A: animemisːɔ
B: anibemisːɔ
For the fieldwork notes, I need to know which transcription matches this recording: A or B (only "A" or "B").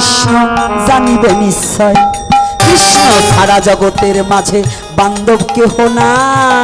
B